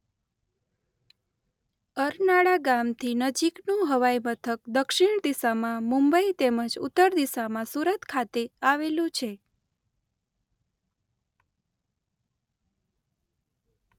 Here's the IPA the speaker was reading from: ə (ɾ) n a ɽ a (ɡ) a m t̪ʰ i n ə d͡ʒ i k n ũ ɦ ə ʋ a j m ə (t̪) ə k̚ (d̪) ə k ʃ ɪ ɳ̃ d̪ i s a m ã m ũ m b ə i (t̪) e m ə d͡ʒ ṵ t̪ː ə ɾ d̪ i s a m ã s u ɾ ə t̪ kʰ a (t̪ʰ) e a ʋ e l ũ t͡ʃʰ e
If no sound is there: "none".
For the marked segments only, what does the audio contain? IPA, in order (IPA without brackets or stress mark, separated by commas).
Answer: ɾ, ɡ, t̪ʰ, d̪, t̪, t̪